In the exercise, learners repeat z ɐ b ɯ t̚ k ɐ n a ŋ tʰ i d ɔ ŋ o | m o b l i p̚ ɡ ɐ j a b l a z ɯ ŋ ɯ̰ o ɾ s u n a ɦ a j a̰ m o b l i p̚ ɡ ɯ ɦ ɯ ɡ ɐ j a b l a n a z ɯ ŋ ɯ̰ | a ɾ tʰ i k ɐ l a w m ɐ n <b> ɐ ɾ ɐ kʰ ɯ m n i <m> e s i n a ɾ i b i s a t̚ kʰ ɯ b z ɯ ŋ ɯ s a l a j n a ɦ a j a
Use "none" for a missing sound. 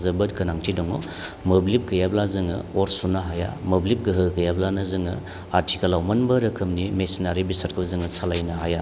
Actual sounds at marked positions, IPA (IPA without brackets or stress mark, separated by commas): b, m